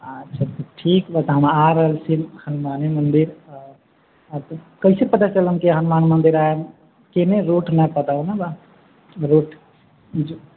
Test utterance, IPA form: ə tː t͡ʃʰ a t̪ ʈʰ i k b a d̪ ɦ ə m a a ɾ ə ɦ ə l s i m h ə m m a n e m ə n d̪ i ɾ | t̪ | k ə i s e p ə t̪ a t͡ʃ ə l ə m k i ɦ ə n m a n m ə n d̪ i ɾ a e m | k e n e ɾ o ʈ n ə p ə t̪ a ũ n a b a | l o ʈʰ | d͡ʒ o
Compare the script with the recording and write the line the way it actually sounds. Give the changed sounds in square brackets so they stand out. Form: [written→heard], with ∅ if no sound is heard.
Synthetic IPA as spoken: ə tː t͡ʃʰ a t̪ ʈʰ i k b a [d̪→t̪] ɦ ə m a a ɾ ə ɦ ə l s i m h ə [m→n] m a n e m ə n d̪ i ɾ | t̪ | k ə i s e p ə t̪ a t͡ʃ ə l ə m k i ɦ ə n m a n m ə n d̪ i ɾ a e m | k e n e ɾ o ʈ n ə p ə t̪ a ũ n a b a | [l→ɾ] o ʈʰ | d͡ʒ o